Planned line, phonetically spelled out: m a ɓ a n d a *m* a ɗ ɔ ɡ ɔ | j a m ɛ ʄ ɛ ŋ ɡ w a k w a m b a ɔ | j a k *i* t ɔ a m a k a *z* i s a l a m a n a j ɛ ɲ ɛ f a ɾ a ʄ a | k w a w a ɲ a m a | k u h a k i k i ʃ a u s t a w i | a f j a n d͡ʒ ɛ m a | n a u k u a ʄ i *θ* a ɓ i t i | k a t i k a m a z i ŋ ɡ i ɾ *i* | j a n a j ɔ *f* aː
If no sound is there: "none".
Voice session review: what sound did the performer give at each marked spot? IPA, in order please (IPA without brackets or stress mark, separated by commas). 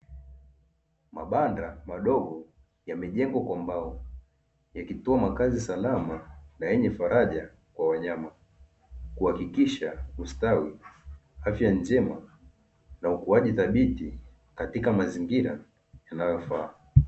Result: m, i, z, θ, a, f